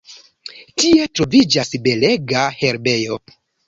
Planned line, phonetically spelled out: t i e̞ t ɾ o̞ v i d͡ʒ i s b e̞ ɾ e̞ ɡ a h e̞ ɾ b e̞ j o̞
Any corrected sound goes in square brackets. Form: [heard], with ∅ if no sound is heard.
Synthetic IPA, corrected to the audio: t i e̞ t ɾ o̞ v i d͡ʒ [a] s b e̞ [l] e̞ ɡ a h e̞ ɾ b e̞ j o̞